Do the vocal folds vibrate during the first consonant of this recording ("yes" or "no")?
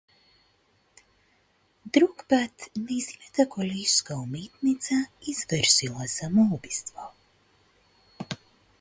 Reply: yes